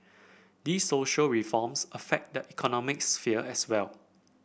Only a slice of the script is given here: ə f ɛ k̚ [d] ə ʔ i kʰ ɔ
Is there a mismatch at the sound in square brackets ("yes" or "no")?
no